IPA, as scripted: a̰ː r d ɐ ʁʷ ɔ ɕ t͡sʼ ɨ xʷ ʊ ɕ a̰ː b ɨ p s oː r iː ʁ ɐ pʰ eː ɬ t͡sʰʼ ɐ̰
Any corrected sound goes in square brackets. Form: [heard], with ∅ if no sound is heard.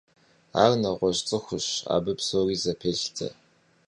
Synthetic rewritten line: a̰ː r [n] ɐ ʁʷ ɔ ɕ t͡sʼ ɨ xʷ ʊ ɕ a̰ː b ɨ p s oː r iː [z] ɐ pʰ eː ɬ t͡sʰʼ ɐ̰